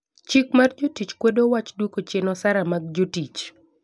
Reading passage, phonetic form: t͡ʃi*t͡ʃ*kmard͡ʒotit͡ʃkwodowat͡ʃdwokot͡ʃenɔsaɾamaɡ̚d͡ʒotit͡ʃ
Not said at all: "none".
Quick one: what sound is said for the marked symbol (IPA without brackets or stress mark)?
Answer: none